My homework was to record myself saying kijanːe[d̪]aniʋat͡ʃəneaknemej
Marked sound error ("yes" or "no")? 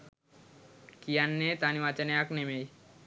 yes